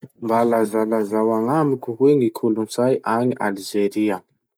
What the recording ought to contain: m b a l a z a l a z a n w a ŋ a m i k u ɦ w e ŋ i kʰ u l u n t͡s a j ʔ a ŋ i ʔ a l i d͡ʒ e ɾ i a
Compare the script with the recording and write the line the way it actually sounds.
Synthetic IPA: m b a l a z a l a z a w a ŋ a m i k u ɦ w e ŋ i kʰ u l u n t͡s a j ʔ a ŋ i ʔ a l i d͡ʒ e ɾ i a

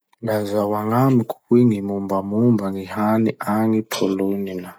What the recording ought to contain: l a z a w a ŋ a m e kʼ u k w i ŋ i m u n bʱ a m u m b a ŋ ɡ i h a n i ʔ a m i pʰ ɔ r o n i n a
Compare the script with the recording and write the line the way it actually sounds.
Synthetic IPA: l a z a w a ŋ a m i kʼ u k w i ŋ i m u m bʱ a m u m b a ŋ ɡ i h a n i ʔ a ŋ i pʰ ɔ l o n i n a

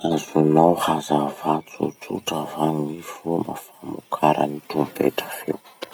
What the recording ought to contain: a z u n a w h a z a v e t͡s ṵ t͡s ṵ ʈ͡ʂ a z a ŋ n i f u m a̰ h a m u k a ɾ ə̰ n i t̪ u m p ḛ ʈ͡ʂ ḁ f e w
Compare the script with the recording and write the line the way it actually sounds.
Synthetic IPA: a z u n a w h a z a v a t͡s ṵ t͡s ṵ ʈ͡ʂ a v a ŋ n i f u m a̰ f a m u kʰ a ɾ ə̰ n i t̪ u m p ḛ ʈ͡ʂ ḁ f e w

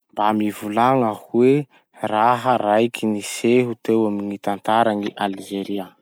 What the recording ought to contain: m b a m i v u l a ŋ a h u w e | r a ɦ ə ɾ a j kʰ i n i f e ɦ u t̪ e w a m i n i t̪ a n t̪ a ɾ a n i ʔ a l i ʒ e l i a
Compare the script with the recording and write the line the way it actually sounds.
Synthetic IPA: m b a m i v u l a ŋ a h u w e | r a ɦ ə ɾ a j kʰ i n i s e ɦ u t̪ e w a m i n i t̪ a n t̪ a ɾ a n i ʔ a l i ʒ e ɾ i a

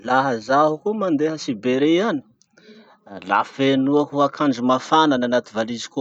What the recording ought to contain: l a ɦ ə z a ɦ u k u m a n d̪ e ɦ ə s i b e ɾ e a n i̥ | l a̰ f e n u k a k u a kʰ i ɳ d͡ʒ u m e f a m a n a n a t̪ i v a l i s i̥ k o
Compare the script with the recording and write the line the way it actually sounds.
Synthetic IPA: l a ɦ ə z a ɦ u k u m a n d̪ e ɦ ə s i b e ɾ e a n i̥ | l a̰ f e n u a k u a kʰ a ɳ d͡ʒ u m a f a n a n a n a t̪ i v a l i z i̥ k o

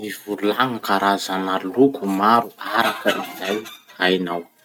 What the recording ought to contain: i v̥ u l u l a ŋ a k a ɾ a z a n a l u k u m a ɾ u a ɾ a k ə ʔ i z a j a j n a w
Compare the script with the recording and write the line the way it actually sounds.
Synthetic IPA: i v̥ u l u l a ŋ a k a ɾ a z a n a l u k u m a ɾ u a ɾ a k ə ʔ i z a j a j n a w

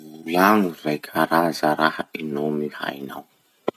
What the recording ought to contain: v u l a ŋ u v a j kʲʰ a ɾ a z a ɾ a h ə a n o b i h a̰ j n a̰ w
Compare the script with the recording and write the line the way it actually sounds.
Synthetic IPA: v u l a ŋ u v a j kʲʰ a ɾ a z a ɾ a h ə i n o m i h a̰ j n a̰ w

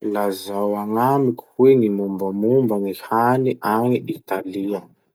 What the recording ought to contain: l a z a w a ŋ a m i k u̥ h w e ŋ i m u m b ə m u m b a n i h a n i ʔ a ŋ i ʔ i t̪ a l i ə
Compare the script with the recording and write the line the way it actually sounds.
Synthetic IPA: l a z a w a ŋ a m i k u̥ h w e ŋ i m u m b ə m u m b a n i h a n i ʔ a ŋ i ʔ i t̪ a l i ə

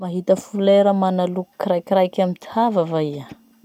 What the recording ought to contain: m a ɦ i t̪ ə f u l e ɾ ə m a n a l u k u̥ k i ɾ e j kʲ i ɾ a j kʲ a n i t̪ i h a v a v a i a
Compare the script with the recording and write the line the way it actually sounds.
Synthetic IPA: m a ɦ i t̪ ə f u l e ɾ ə m a n a l u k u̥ k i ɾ a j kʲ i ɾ a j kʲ a m i t̪ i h a v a v a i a

